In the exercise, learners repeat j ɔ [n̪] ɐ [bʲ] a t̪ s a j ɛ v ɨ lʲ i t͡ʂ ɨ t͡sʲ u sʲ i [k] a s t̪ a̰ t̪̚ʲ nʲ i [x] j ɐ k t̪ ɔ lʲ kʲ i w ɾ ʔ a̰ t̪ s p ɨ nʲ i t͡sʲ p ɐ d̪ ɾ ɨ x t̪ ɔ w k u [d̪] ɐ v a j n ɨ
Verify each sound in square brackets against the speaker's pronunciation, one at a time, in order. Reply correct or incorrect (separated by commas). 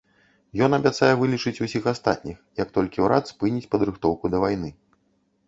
correct, correct, incorrect, correct, correct